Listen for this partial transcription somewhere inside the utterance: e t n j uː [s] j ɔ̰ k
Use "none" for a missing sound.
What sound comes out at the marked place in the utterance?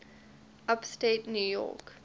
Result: none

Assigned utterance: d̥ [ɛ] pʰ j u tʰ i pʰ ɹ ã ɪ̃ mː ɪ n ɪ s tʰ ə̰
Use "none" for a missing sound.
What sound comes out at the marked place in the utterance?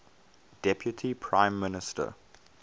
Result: ɛ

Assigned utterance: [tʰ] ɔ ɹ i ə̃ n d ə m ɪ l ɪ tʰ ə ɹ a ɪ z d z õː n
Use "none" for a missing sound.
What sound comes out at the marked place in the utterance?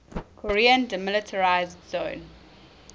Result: kʰ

